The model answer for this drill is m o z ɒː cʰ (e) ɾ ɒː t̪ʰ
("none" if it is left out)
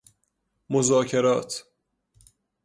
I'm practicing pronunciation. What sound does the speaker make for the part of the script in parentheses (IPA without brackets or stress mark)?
e